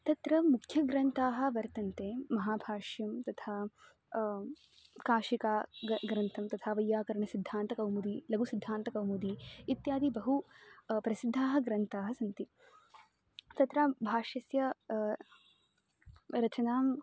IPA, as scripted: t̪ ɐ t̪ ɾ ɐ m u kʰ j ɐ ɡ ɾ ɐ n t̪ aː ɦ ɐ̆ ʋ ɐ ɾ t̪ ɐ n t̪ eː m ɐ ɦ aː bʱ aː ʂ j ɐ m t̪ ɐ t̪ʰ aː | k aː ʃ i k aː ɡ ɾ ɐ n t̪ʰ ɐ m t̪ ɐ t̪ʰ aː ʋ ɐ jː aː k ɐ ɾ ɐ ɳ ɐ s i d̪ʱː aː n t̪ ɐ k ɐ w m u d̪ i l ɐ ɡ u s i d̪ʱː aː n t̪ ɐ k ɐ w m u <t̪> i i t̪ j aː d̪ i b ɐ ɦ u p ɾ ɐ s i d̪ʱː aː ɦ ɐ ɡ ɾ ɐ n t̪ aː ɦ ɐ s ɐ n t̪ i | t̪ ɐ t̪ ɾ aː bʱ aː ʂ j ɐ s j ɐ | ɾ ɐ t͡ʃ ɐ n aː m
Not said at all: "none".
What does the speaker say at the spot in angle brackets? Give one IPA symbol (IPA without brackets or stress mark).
d̪